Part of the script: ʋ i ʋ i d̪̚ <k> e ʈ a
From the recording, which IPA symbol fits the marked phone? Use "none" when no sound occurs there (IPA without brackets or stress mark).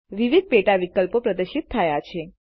p